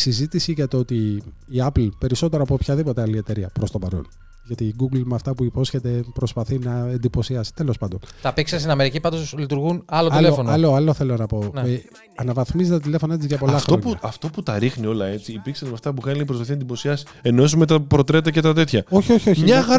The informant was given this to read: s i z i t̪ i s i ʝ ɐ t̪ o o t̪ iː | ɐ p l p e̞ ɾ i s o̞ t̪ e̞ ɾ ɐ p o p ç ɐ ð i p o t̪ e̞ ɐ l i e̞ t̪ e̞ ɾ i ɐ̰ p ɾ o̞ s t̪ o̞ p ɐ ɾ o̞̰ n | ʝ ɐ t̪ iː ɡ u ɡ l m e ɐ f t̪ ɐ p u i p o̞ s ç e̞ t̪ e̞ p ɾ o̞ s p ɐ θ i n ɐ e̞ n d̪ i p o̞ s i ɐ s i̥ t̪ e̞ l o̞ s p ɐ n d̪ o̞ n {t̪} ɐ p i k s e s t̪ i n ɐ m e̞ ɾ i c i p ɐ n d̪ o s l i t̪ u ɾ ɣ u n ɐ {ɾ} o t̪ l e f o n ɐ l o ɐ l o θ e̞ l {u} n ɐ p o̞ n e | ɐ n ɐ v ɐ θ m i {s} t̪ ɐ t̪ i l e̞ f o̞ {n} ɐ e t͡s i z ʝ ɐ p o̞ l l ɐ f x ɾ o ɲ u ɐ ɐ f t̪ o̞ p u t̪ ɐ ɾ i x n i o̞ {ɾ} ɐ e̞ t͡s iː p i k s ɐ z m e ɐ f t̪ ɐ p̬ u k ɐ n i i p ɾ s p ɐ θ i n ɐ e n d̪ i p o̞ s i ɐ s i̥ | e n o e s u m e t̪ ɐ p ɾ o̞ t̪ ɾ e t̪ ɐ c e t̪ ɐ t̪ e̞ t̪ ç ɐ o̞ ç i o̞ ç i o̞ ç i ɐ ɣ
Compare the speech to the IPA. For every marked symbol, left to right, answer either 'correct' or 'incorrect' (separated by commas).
correct, incorrect, incorrect, incorrect, correct, incorrect